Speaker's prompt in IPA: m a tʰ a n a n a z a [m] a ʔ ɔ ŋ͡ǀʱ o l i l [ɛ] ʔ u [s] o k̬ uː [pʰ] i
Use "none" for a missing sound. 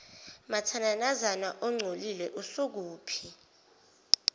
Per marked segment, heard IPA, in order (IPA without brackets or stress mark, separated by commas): n, ɛ, s, pʰ